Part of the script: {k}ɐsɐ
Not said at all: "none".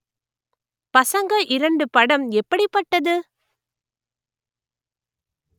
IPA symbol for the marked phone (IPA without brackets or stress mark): p